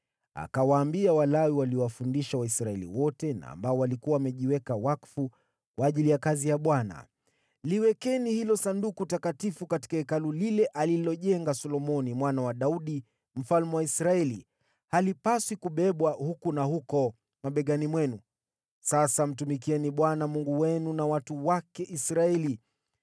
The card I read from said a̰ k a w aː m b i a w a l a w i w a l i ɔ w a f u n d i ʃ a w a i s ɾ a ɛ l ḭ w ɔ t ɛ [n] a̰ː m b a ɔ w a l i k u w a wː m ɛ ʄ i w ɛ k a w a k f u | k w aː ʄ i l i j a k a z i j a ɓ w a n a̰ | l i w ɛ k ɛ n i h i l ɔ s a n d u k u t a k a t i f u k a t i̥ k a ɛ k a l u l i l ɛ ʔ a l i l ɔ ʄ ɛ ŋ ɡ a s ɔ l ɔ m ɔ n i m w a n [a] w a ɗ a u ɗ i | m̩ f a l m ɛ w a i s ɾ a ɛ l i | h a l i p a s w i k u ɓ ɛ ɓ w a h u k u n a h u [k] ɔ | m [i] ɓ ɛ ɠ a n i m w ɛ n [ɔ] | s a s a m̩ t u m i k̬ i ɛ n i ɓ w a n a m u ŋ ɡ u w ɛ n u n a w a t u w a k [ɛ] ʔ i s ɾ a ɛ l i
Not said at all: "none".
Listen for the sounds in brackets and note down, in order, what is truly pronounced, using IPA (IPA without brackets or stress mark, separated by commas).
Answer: n, a, k, a, u, ɛ